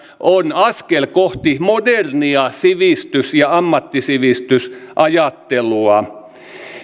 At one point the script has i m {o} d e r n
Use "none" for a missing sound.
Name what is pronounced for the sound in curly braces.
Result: o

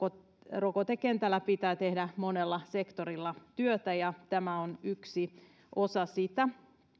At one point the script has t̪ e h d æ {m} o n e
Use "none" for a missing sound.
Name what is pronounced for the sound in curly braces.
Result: m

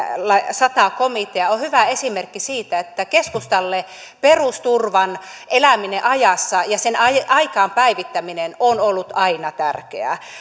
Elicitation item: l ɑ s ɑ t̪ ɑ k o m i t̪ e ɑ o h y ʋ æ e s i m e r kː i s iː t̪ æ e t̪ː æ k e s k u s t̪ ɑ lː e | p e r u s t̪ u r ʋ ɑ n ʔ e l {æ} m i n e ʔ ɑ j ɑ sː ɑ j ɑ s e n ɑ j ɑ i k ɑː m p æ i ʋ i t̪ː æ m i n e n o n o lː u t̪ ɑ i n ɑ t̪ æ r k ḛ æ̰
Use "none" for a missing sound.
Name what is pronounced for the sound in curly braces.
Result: æ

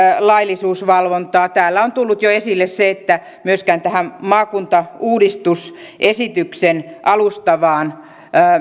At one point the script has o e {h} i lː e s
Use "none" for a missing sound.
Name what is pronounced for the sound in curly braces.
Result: s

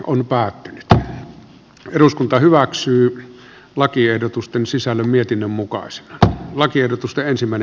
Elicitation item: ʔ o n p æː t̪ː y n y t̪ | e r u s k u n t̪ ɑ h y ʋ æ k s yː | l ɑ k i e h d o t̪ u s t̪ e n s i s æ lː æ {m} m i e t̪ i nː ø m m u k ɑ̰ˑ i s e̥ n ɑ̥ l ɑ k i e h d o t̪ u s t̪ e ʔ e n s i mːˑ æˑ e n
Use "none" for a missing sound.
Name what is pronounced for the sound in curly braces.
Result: m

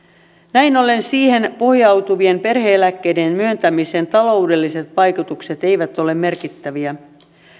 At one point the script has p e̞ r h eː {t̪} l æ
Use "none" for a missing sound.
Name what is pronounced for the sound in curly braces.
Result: none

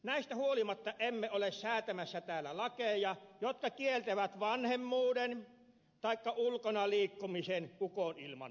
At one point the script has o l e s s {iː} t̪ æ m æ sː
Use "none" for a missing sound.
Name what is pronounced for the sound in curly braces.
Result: æː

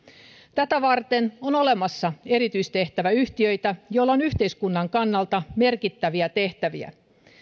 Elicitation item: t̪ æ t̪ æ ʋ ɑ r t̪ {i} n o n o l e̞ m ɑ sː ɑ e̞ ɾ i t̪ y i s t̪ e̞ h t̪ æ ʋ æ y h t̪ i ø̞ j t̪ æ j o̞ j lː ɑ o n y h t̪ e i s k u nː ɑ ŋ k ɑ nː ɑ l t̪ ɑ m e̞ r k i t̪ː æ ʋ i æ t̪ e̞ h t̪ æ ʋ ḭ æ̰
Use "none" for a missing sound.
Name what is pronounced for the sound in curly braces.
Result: e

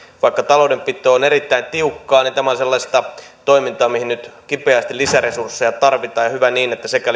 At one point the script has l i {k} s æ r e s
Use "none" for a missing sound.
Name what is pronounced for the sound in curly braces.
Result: none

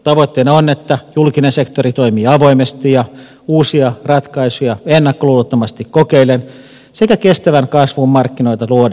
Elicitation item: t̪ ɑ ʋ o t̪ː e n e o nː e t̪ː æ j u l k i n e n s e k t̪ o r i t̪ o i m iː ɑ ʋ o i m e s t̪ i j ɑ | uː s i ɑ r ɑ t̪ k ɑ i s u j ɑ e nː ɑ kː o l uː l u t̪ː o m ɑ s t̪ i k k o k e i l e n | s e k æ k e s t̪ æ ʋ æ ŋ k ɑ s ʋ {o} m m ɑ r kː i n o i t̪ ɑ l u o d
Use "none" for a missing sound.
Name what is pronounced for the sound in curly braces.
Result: u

